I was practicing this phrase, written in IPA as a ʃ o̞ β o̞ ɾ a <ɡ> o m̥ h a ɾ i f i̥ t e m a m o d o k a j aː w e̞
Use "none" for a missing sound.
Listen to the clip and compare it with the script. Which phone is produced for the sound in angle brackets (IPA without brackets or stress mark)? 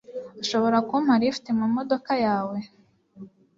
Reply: k